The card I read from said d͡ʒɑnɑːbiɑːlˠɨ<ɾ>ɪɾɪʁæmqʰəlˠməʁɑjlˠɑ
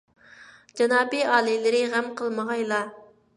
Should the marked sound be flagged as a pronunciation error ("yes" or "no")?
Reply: yes